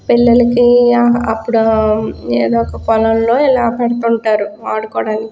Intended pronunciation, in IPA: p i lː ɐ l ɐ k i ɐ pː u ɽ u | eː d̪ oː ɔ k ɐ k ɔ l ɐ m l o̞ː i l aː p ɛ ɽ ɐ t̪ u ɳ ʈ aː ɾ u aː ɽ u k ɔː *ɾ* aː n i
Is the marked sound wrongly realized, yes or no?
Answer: yes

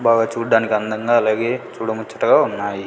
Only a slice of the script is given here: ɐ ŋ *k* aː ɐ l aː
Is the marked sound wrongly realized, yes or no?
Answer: yes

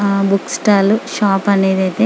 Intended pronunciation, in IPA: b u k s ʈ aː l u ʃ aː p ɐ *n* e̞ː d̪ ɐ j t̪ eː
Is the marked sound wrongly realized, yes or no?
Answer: no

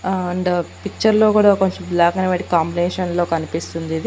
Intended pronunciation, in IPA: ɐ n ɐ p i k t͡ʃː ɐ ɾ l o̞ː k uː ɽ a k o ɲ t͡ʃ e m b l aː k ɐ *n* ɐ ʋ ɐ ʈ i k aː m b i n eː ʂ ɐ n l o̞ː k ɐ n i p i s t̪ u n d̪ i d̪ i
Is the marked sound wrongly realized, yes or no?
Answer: no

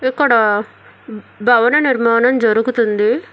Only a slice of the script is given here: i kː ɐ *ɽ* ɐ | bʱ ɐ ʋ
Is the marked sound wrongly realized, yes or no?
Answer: no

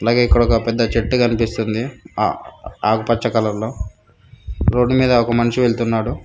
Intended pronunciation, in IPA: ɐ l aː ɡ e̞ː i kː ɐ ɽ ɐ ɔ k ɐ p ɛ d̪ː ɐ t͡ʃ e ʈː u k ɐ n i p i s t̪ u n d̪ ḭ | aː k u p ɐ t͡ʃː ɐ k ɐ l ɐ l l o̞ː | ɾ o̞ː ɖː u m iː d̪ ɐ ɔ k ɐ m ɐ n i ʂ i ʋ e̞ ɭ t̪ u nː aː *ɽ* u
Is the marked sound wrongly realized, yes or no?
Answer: no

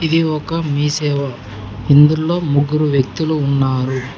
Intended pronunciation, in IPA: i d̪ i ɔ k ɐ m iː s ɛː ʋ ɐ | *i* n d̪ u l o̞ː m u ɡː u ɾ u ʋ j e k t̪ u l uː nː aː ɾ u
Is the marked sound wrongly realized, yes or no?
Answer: no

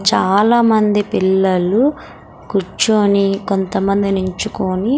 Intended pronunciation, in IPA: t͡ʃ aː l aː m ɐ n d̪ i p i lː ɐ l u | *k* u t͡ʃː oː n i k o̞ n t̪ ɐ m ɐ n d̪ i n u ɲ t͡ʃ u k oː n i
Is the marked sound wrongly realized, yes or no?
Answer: no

